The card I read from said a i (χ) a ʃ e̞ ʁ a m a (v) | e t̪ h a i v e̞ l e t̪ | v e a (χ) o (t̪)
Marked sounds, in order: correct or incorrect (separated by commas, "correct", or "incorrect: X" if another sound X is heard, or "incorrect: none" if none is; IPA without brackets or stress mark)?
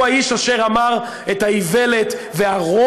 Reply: incorrect: ʃ, incorrect: ʁ, incorrect: ʁ, incorrect: none